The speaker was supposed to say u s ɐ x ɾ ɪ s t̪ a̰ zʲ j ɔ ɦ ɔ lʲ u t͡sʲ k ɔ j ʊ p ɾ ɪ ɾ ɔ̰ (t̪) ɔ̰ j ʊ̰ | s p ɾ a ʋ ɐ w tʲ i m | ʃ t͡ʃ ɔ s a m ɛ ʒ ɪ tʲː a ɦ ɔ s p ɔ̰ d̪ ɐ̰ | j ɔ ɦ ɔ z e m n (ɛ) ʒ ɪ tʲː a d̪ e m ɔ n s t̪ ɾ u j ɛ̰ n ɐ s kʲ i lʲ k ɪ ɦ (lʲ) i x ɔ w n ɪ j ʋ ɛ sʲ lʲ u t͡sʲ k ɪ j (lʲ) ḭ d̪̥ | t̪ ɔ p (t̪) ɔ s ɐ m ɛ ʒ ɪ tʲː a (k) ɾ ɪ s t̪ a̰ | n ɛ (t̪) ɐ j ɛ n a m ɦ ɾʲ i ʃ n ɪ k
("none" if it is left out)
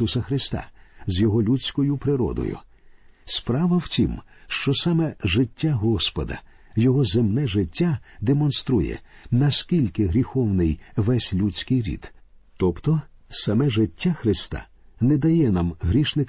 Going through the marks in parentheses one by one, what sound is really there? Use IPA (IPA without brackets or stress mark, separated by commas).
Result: d̪, ɛ, ɾʲ, ɾʲ, t̪, x, d̪